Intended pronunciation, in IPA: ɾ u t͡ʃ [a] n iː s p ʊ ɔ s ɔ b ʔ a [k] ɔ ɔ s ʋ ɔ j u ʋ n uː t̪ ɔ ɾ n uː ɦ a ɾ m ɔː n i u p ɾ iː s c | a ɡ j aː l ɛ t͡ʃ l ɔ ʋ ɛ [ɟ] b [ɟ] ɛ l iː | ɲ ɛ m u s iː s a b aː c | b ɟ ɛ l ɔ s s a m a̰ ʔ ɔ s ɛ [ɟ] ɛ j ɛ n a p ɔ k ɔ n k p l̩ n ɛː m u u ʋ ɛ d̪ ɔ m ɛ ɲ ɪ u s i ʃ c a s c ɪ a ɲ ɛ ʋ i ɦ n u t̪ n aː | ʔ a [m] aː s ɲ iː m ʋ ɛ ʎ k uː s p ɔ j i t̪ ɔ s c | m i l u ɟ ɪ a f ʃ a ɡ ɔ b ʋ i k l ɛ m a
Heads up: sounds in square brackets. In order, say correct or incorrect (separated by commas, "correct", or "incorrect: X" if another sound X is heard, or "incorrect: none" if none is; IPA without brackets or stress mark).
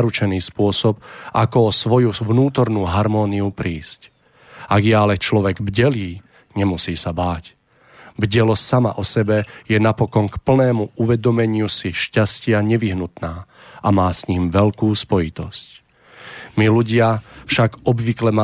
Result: incorrect: ɛ, correct, incorrect: ɡ, correct, incorrect: b, correct